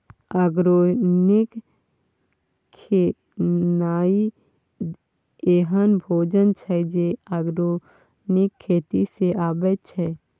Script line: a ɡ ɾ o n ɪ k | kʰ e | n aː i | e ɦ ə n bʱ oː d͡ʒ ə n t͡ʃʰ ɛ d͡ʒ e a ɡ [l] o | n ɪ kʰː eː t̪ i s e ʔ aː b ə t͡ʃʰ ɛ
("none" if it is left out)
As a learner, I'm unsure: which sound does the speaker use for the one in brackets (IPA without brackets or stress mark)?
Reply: ɾ